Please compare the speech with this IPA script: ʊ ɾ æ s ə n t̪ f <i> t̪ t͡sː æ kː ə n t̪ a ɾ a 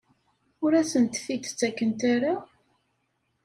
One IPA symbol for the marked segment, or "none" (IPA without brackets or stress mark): i